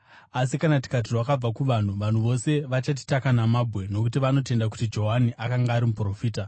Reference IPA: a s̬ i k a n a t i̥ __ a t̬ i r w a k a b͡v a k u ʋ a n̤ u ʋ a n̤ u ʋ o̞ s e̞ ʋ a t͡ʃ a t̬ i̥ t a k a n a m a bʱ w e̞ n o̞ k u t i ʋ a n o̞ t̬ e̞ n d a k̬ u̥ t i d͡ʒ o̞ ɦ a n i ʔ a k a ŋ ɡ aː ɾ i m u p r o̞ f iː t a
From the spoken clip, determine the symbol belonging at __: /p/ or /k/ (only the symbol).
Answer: k